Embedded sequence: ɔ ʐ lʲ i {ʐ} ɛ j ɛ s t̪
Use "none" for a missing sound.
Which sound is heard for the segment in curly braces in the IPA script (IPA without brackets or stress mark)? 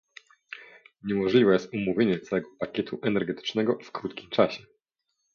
v